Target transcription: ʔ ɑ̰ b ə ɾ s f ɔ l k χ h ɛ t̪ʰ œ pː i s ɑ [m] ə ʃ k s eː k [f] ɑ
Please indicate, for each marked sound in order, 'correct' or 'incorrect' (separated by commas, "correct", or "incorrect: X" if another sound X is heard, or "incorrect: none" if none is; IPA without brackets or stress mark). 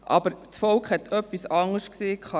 incorrect: ŋ, incorrect: χ